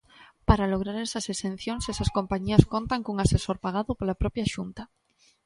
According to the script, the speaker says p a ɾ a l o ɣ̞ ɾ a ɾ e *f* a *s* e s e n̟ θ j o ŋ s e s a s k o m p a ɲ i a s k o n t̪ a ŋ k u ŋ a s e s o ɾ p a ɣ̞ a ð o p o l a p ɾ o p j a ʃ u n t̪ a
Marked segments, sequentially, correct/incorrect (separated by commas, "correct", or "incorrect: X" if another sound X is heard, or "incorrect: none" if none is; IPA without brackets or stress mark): incorrect: s, correct